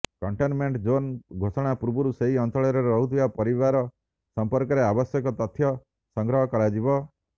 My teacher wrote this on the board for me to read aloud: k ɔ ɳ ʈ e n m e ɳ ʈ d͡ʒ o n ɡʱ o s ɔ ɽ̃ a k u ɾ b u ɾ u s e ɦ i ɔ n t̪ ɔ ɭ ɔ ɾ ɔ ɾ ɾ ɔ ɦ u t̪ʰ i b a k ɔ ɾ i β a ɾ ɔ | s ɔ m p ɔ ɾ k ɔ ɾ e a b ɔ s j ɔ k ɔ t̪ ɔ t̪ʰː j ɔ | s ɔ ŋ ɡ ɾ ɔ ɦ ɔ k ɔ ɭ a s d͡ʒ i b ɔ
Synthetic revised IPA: k ɔ ɳ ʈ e n m e ɳ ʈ d͡ʒ o n ɡʱ o s ɔ ɽ̃ a p u ɾ b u ɾ u s e ɦ i ɔ n t̪ ɔ ɭ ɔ ɾ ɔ ɾ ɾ ɔ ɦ u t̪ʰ i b a p ɔ ɾ i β a ɾ ɔ | s ɔ m p ɔ ɾ k ɔ ɾ e a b ɔ s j ɔ k ɔ t̪ ɔ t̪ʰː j ɔ | s ɔ ŋ ɡ ɾ ɔ ɦ ɔ k ɔ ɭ a d͡ʒ i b ɔ